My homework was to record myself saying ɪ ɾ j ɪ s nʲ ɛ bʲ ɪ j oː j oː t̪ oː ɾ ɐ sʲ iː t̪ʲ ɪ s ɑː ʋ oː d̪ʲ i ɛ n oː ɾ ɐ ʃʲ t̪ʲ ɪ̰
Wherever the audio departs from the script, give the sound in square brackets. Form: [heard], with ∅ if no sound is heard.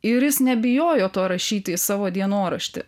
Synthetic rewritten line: ɪ ɾ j ɪ s nʲ ɛ bʲ ɪ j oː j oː t̪ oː ɾ ɐ [ʃʲ] iː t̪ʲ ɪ s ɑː ʋ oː d̪ʲ i ɛ n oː ɾ ɐ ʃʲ t̪ʲ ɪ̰